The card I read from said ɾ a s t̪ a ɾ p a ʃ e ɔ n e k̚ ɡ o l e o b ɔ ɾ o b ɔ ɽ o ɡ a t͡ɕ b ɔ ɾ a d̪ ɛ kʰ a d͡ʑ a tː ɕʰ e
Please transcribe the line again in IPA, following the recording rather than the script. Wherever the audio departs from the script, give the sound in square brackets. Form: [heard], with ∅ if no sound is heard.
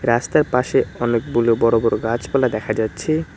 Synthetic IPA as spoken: ɾ a s t̪ a ɾ p a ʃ e ɔ n e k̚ [b] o l e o b ɔ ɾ o b ɔ [ɾ] o ɡ a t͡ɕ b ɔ [l] a d̪ ɛ kʰ a d͡ʑ a tː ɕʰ e

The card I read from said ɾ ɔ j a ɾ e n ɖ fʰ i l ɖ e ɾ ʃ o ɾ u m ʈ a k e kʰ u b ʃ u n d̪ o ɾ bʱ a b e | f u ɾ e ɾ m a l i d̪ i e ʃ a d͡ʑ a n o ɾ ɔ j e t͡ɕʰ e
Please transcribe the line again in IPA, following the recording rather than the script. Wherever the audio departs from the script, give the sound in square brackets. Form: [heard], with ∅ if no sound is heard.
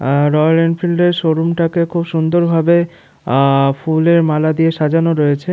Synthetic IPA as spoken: ɾ ɔ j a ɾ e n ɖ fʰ i l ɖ e ɾ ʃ o ɾ u m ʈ a k e kʰ u b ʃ u n d̪ o ɾ bʱ a b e | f u [l] e ɾ m a l [a] d̪ i e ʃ a d͡ʑ a n o ɾ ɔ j e t͡ɕʰ e

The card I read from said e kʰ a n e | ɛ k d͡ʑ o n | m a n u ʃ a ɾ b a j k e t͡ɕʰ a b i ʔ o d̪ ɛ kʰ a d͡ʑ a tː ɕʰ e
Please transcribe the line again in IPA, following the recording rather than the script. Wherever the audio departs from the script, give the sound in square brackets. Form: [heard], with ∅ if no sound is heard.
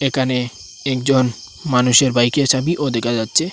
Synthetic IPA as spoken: e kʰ a n e | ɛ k d͡ʑ o n | m a n u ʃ [e] ɾ b a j k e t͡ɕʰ a b i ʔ o d̪ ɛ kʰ a d͡ʑ a tː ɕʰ e

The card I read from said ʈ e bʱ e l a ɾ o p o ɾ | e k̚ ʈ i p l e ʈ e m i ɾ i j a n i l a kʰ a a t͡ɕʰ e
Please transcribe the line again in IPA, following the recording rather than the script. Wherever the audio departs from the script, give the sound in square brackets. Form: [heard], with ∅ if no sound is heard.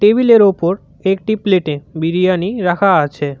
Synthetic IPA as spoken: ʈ e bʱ [i] l [e] ɾ o p o ɾ | e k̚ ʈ i p l e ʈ e [b] i ɾ i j a n i [ɾ] a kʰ a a t͡ɕʰ e

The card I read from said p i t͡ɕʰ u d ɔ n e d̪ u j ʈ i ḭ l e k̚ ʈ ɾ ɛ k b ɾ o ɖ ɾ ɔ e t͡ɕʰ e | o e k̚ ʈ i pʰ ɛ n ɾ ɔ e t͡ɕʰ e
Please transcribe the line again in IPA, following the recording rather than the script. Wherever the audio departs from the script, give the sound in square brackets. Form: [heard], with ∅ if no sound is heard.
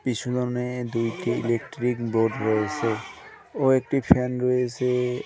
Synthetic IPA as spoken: p i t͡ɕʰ u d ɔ n e d̪ u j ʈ i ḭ l e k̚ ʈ ɾ [i] k b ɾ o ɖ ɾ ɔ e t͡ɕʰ e | o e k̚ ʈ i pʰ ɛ n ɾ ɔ e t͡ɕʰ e

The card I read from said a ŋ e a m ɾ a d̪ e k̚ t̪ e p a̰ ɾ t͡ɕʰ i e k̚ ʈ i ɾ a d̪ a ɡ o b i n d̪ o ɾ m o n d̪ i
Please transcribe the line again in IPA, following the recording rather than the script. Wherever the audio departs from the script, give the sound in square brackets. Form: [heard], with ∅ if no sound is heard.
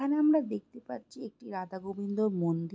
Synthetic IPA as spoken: a [n] e a m ɾ a d̪ e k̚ t̪ e p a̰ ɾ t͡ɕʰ i e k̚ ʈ i ɾ a d̪ a ɡ o b i n d̪ o ɾ m o n d̪ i

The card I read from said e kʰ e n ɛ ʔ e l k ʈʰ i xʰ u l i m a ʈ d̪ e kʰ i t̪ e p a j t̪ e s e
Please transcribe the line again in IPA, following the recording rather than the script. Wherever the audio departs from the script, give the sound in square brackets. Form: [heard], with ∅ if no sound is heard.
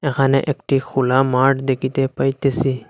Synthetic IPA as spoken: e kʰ [a] n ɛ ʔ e [∅] k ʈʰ i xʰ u l [a] m a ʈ d̪ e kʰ i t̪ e p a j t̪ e s [i]

